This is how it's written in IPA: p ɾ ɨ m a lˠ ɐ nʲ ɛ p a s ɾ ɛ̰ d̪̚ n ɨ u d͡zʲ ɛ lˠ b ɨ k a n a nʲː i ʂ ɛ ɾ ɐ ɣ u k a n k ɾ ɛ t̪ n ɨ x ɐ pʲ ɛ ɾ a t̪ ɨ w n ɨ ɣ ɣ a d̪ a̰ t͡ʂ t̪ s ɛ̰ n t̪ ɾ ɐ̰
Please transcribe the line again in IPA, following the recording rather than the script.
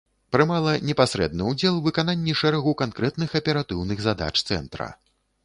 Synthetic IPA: p ɾ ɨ m a lˠ ɐ nʲ ɛ p a s ɾ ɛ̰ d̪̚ n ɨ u d͡zʲ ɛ lˠ v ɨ k a n a nʲː i ʂ ɛ ɾ ɐ ɣ u k a n k ɾ ɛ t̪ n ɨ x ɐ pʲ ɛ ɾ a t̪ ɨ w n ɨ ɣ z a d̪ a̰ t͡ʂ t̪ s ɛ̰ n t̪ ɾ ɐ̰